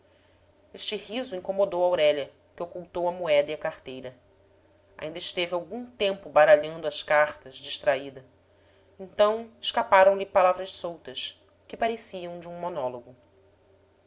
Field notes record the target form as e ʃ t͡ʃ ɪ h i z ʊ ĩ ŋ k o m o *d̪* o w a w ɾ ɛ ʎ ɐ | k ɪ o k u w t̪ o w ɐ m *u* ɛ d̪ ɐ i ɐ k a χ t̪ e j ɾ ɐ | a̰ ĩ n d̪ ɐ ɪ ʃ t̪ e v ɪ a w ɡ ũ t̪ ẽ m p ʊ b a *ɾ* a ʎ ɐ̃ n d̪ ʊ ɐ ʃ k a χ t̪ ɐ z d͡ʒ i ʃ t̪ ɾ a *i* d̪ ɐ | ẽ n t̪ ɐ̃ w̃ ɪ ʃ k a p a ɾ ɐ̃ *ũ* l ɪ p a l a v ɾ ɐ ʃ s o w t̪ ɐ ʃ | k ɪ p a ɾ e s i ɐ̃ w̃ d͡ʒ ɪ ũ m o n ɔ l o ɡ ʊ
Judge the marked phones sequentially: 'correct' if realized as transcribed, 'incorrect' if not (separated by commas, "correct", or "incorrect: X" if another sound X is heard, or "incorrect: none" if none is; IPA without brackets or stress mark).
correct, correct, correct, correct, incorrect: w̃